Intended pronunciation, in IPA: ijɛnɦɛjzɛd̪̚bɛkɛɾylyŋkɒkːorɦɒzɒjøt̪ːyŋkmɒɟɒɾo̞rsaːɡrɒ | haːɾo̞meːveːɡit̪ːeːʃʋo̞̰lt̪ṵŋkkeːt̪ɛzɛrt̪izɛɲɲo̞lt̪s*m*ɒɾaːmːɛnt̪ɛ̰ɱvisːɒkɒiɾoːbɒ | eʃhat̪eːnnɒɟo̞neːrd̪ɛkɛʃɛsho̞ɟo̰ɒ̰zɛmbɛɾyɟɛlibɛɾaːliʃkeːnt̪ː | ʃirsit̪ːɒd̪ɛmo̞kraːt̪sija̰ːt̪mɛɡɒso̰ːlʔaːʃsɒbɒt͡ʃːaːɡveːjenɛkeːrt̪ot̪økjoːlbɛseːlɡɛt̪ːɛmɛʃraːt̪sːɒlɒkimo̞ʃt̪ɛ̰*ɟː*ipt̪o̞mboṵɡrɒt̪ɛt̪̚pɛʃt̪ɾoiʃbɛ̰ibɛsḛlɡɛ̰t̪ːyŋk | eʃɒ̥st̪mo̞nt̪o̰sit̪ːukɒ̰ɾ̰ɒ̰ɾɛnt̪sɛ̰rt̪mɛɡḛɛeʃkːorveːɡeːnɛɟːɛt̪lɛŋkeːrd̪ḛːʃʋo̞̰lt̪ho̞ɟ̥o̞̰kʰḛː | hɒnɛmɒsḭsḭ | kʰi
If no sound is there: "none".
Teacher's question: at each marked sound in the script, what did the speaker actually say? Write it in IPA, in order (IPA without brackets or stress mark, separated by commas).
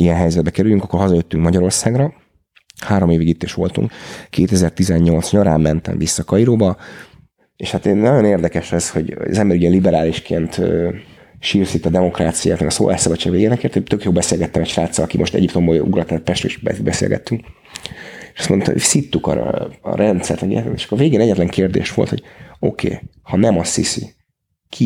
ɲ, ɟ